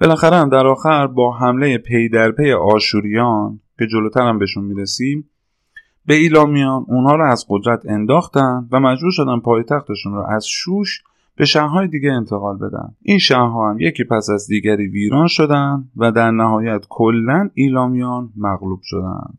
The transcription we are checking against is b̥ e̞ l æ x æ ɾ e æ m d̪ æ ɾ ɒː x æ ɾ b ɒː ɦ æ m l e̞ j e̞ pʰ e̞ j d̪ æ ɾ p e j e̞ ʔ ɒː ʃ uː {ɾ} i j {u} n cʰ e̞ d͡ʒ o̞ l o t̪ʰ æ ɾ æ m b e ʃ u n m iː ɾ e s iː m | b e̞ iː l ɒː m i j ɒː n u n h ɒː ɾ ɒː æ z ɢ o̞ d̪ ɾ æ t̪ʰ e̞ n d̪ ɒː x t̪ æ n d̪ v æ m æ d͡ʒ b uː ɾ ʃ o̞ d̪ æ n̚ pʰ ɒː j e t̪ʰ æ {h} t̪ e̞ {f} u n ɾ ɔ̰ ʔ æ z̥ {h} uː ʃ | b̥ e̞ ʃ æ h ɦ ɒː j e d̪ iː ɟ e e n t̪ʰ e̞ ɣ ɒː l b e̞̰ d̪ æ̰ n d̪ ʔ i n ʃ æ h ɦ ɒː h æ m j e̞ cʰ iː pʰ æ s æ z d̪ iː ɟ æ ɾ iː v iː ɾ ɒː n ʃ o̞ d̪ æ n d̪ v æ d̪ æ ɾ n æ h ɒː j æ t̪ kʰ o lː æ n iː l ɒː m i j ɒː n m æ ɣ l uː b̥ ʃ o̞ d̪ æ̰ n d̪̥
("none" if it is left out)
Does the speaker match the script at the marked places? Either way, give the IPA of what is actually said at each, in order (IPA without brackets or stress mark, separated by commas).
ɾ, ɒ, x, ʃ, ʃ